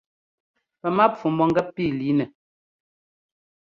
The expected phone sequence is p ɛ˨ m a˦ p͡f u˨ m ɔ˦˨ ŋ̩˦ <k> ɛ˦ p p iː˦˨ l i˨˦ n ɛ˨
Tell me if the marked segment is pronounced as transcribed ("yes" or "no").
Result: no